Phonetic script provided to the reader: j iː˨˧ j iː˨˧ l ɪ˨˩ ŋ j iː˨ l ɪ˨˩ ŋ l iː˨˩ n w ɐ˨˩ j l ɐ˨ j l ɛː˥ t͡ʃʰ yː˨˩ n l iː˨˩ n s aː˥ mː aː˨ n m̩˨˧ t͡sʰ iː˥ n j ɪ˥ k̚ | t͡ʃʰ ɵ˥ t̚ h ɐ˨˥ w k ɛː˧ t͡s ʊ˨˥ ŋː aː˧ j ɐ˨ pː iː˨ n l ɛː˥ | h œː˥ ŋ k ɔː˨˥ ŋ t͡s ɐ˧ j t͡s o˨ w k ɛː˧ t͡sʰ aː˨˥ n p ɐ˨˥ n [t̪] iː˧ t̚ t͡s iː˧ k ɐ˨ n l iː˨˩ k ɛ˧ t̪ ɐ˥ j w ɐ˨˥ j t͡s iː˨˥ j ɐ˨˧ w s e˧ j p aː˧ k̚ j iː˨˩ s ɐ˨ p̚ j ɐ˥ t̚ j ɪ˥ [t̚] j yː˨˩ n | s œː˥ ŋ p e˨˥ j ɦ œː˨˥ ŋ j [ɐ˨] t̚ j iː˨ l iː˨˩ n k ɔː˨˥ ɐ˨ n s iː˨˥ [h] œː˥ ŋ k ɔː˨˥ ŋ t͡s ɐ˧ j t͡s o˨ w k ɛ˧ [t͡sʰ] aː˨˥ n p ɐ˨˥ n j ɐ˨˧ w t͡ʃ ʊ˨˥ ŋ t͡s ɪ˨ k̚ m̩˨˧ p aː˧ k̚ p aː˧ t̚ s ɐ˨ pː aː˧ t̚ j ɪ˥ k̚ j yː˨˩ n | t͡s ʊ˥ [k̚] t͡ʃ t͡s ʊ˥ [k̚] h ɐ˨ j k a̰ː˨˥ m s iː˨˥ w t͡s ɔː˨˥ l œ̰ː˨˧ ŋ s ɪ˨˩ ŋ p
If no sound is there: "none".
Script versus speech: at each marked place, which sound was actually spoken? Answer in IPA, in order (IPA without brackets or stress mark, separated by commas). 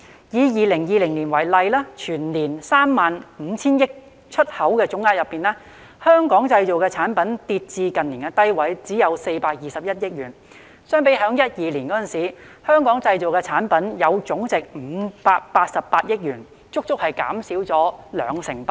t̪, k̚, ɐ˥, h, t͡sʰ, k̚, k̚